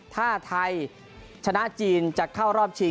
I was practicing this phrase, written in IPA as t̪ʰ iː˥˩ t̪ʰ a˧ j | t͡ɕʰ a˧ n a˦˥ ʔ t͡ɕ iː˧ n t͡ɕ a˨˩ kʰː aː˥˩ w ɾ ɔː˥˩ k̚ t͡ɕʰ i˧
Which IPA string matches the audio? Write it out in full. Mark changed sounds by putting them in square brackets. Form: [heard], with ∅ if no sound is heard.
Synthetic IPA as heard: t̪ʰ [aː˥˩] t̪ʰ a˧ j | t͡ɕʰ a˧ n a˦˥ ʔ t͡ɕ iː˧ n t͡ɕ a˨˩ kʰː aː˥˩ w ɾ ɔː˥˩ [p̚] t͡ɕʰ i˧